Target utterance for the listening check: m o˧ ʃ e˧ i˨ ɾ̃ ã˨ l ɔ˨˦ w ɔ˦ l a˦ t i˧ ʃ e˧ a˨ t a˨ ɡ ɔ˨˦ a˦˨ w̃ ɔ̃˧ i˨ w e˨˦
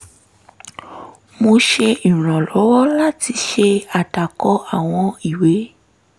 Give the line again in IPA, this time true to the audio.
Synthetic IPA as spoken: m o˧ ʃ e˧ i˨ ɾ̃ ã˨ l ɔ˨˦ w ɔ˦ l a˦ t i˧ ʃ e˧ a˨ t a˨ k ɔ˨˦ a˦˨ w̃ ɔ̃˧ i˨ w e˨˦

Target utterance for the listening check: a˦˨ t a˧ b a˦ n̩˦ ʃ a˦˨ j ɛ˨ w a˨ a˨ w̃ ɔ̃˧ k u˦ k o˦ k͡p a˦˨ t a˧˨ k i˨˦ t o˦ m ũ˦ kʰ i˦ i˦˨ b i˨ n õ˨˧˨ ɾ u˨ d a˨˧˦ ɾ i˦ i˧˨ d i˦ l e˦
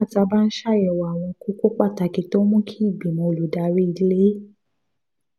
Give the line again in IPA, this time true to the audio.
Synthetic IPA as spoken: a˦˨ t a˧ b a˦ n̩˦ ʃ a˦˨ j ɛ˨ w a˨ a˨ w̃ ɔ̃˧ k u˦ k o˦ k͡p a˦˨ t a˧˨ k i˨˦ t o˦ m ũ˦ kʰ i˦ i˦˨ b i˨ m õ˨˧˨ l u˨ d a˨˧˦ ɾ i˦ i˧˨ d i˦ l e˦

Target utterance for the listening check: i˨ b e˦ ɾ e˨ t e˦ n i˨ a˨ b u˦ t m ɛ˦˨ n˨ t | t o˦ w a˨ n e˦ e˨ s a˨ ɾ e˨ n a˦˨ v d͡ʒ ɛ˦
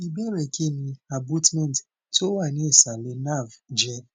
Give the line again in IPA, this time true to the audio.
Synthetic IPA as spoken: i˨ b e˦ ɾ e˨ k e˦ n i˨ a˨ b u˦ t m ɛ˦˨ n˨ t | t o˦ w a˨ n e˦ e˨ s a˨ l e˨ n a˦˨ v d͡ʒ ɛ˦

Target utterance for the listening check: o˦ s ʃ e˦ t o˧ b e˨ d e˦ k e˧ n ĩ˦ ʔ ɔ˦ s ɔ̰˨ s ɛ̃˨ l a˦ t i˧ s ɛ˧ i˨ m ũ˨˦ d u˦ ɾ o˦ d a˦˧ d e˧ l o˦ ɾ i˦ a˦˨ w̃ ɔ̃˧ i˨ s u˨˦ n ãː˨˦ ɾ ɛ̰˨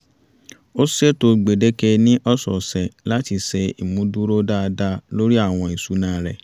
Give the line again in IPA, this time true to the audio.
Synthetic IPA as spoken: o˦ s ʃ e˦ t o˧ ɡ͡b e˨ d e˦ k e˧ n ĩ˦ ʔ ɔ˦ s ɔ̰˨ s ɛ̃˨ l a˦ t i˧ s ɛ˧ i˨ m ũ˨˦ d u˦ ɾ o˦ d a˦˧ d a˧ l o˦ ɾ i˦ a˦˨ w̃ ɔ̃˧ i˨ s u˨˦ n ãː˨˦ ɾ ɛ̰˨

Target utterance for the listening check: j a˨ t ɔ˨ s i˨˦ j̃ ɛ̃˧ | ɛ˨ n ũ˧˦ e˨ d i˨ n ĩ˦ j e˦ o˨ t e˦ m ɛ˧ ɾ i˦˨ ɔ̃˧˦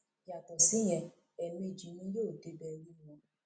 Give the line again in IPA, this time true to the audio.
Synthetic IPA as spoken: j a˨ t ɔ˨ s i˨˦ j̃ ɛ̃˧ | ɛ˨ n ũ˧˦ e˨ d͡ʒ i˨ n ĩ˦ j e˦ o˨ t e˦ b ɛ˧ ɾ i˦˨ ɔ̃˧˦

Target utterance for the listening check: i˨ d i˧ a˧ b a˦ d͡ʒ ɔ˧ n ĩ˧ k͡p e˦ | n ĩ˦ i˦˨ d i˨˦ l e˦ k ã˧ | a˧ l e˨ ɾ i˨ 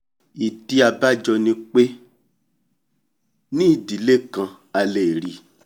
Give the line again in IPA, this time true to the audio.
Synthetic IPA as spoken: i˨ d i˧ a˧ b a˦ d͡ʒ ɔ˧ n ĩ˧ k͡p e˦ | n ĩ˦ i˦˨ d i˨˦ l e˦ k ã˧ | a˧ l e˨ ɾ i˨

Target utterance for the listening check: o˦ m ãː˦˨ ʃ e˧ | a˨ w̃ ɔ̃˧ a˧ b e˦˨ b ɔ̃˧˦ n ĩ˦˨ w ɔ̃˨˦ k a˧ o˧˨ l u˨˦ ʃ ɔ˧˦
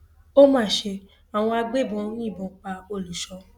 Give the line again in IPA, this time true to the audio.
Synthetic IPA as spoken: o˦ m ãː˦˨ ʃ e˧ | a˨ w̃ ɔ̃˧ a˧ ɡ͡b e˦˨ b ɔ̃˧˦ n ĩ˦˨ b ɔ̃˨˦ k͡p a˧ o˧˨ l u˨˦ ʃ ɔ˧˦

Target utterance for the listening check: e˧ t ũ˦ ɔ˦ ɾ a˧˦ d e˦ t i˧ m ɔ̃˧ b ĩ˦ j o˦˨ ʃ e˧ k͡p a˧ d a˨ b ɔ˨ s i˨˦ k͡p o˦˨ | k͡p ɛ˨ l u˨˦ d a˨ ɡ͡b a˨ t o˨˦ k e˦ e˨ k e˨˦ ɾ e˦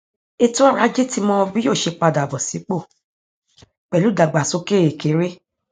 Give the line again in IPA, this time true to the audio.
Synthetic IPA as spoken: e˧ t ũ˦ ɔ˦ ɾ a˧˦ d͡ʒ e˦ t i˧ m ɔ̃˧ b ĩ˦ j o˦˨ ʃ e˧ k͡p a˧ d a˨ b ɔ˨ s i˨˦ k͡p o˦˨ | k͡p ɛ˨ l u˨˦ d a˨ ɡ͡b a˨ s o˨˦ k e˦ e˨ k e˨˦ ɾ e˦

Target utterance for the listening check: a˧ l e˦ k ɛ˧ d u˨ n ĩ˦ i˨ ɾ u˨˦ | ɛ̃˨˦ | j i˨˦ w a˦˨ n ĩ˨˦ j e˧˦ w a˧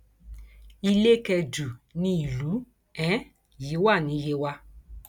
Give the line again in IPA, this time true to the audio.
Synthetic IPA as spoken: i˧ l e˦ k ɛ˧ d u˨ n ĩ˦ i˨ l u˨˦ | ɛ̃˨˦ | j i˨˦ w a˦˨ n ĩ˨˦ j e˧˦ w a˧

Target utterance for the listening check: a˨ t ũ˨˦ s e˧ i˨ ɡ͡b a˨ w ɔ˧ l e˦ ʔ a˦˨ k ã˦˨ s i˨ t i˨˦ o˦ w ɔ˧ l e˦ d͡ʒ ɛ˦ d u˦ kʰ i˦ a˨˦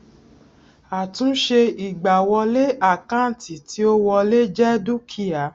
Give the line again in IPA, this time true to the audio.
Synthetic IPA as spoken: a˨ t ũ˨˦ ʃ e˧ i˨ ɡ͡b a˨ w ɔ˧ l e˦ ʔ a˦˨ k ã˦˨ t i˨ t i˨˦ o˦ w ɔ˧ l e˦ d͡ʒ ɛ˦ d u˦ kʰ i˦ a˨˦

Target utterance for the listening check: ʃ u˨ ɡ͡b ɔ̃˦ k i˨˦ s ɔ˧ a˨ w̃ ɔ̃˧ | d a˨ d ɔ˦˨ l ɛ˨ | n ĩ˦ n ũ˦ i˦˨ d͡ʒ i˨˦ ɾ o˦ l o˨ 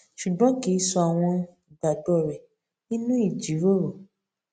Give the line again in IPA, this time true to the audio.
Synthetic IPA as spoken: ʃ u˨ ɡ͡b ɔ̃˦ k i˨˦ s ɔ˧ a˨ w̃ ɔ̃˧ | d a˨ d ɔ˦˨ ɾ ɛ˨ | n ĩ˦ n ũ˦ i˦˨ d͡ʒ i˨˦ ɾ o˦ ɾ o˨

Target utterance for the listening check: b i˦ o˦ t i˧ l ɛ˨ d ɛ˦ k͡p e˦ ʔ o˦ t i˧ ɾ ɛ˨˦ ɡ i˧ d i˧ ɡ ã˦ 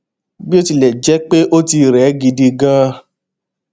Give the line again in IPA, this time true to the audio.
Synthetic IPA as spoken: b i˦ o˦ t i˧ l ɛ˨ d͡ʒ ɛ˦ k͡p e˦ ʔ o˦ t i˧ ɾ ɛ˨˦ ɡ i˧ d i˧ ɡ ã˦

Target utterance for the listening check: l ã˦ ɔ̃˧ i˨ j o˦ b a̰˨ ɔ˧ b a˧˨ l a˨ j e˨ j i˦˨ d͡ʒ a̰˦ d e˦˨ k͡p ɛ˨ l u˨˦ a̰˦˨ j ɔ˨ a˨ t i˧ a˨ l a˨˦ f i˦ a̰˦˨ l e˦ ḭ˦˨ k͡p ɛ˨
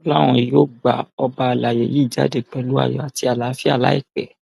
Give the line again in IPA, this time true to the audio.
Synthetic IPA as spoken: l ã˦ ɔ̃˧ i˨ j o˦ ɡ͡b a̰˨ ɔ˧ b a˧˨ l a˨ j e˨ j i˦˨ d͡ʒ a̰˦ d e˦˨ k͡p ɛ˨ l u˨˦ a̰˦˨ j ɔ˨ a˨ t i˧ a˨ l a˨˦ f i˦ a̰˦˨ l a˦ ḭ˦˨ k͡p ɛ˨

